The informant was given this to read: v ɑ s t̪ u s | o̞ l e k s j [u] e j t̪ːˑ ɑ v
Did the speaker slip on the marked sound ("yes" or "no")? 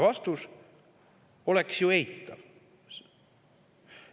no